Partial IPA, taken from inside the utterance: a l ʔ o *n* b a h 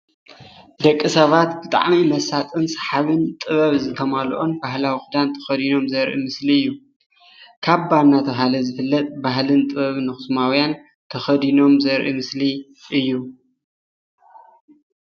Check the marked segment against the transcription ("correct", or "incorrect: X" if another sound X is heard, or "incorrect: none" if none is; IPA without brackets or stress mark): correct